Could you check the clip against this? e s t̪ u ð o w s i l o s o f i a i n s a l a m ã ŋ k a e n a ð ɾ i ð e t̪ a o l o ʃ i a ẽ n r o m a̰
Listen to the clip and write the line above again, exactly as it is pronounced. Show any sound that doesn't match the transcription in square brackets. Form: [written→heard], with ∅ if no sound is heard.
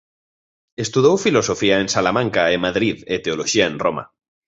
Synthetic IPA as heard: e s t̪ u ð o w [s→f] i l o s o f i a [i→e] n s a l a m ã ŋ k a e [n→m] a ð ɾ i ð e t̪ [a→e] o l o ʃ i a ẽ n r o m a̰